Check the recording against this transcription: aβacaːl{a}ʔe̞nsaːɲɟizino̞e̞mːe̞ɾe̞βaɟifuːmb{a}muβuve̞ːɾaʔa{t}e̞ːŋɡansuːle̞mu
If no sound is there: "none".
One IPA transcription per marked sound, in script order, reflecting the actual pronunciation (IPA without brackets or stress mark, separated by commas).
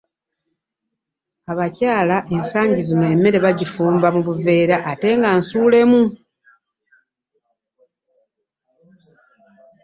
a, a, t